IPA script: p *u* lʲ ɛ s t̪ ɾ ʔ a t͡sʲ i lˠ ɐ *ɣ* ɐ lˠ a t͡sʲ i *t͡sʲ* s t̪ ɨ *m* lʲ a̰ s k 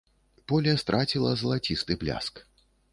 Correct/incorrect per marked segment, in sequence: incorrect, incorrect, incorrect, incorrect

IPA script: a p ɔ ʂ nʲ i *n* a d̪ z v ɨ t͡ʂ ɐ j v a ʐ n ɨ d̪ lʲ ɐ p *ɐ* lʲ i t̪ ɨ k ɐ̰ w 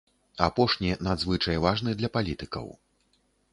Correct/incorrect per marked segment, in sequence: correct, incorrect

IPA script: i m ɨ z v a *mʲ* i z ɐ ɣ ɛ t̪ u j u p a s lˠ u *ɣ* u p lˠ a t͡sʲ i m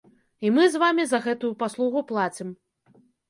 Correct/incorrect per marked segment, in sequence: correct, correct

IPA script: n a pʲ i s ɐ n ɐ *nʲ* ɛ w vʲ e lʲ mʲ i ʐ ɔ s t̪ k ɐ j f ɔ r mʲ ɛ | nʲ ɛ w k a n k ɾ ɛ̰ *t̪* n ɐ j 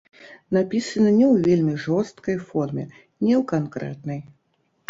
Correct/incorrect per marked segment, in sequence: correct, correct

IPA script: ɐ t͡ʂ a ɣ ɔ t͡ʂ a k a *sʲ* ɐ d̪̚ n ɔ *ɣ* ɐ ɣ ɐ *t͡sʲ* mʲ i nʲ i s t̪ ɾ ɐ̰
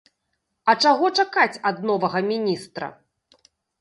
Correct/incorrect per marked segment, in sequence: incorrect, incorrect, incorrect

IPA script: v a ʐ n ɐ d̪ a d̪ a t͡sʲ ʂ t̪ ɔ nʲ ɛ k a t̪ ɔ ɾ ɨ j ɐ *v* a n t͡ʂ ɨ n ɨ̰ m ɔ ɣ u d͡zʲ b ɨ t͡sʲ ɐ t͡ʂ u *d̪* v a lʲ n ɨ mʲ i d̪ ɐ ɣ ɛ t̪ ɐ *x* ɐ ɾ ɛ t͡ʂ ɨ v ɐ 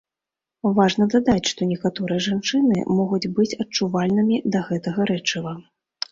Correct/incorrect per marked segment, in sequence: incorrect, incorrect, incorrect

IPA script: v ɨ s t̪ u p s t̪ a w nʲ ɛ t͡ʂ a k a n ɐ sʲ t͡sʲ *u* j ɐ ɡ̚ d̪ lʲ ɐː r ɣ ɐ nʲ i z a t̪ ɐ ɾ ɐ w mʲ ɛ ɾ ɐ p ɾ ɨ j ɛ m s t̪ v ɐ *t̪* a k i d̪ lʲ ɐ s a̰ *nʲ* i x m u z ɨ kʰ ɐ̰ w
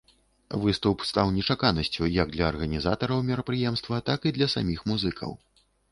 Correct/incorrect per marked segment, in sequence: correct, correct, incorrect

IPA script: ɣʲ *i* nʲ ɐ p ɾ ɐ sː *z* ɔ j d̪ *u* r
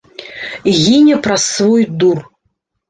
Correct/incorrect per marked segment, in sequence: correct, incorrect, correct

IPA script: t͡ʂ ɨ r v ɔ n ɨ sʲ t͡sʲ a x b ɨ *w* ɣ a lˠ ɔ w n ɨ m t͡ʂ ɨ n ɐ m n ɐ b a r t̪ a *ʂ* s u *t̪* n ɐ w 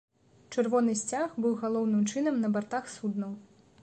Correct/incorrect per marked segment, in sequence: correct, incorrect, incorrect

